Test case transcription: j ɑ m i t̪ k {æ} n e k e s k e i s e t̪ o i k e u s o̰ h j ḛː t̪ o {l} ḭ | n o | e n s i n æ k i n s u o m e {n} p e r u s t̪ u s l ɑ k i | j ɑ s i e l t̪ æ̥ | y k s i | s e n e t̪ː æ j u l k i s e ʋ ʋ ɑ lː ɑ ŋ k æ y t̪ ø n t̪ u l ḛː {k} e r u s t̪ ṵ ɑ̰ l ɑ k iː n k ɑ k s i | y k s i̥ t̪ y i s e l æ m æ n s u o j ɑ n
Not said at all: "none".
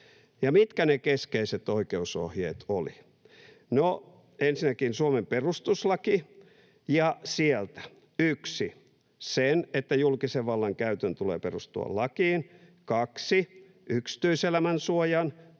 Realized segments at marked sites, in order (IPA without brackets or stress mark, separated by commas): æ, l, m, p